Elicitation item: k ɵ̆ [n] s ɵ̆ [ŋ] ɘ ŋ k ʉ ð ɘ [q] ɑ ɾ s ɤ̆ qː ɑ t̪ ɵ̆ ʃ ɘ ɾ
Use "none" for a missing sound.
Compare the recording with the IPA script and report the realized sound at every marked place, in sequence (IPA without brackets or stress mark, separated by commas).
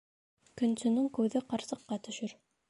n, n, q